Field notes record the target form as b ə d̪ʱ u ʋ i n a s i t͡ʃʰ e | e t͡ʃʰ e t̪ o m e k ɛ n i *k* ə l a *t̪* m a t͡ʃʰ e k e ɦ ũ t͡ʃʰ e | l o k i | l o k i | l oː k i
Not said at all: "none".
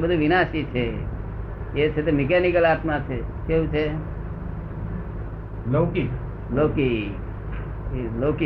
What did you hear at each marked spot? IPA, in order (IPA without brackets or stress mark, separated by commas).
k, t̪